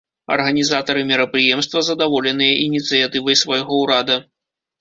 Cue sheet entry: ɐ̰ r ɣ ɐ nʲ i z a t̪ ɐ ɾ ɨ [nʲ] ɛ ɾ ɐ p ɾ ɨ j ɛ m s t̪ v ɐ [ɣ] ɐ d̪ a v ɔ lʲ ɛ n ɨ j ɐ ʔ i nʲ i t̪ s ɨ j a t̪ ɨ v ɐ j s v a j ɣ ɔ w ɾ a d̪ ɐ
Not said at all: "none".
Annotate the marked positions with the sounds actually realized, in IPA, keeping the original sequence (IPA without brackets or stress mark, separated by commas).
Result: mʲ, z